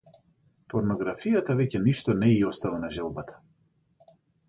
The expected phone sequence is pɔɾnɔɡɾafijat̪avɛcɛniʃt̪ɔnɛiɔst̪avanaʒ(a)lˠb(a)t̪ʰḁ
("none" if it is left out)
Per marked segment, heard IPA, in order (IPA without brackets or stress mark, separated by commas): ɛ, a